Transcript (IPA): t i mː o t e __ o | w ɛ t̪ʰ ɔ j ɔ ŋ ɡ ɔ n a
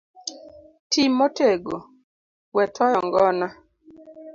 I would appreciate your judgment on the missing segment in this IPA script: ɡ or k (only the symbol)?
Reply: ɡ